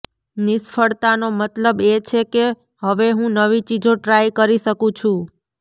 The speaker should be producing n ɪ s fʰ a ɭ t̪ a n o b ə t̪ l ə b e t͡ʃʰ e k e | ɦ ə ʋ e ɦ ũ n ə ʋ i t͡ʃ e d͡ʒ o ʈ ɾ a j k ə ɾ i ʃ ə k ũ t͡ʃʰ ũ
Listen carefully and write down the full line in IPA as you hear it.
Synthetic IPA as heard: n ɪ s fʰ ə ɭ t̪ a n o m ə t̪ l ə b e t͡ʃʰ e k e | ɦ ə ʋ e ɦ ũ n ə ʋ i t͡ʃ i d͡ʒ o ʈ ɾ a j k ə ɾ i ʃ ə k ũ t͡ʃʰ ũ